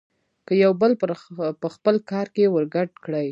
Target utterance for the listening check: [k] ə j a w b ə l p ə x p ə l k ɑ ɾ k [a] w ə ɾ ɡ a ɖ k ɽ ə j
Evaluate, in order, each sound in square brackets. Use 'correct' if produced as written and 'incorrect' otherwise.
correct, incorrect

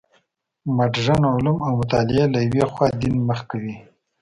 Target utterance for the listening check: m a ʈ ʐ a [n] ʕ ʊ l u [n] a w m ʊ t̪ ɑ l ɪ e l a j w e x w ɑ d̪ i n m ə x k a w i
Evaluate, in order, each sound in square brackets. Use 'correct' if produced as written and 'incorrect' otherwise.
correct, incorrect

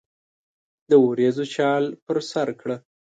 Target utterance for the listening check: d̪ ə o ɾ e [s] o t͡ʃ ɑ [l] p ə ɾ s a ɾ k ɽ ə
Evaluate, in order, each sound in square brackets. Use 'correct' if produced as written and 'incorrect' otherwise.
incorrect, correct

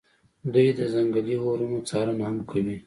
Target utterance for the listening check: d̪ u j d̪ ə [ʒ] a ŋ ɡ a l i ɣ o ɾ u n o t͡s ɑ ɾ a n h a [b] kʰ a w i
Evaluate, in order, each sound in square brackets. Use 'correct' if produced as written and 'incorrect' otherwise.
incorrect, incorrect

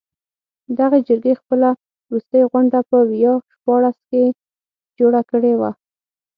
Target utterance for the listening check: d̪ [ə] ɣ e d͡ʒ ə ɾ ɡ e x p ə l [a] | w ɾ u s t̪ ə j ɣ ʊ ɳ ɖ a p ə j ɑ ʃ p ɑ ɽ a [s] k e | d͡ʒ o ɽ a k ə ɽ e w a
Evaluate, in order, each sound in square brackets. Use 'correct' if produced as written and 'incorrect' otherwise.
incorrect, correct, correct

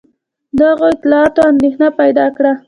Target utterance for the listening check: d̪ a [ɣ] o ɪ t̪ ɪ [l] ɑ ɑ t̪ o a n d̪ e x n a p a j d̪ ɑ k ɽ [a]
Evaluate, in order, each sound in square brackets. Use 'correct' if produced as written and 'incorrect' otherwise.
correct, correct, correct

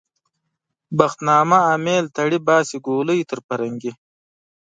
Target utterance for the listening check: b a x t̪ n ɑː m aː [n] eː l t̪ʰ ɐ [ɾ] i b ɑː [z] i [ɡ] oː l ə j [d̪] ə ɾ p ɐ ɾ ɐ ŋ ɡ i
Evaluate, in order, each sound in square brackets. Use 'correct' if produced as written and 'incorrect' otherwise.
incorrect, incorrect, incorrect, correct, incorrect

